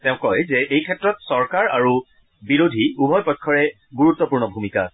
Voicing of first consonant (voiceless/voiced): voiceless